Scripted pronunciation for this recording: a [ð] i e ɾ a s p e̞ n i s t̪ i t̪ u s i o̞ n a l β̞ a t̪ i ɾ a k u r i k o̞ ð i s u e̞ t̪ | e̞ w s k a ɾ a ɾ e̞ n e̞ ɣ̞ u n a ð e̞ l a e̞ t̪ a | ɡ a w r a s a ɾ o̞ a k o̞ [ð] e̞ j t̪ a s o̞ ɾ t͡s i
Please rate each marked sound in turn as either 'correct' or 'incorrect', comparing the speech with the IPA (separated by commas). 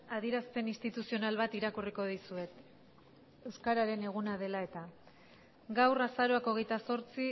correct, incorrect